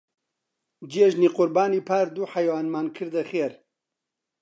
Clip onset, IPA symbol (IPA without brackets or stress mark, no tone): d͡ʒ